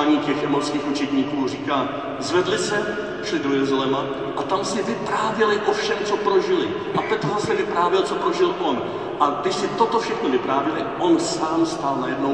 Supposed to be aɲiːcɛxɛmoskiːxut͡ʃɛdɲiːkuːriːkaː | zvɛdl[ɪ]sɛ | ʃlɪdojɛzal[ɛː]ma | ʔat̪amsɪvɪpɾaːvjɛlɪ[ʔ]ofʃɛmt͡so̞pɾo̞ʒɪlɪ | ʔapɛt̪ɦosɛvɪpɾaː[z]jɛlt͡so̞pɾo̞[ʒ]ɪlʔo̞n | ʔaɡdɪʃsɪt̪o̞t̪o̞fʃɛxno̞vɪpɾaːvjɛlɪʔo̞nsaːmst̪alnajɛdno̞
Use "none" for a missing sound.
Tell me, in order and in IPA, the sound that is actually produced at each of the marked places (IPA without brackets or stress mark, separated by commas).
ɪ, ɛ, ʔ, v, ʒ